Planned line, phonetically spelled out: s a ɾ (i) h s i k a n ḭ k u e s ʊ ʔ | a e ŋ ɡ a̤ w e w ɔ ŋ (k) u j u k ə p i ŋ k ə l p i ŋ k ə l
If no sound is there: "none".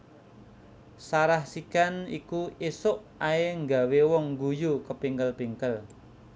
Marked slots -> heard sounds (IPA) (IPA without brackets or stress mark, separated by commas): a, ɡ